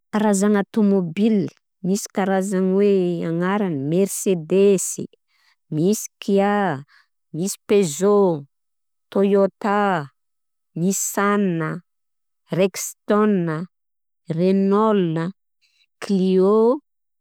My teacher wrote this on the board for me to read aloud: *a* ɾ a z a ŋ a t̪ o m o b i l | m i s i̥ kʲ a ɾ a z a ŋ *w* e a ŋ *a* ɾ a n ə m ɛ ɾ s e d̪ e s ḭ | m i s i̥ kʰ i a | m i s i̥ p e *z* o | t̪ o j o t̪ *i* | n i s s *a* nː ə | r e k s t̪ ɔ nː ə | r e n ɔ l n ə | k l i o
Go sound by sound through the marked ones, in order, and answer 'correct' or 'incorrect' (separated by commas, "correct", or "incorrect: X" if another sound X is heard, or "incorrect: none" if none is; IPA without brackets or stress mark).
correct, correct, correct, correct, incorrect: a, correct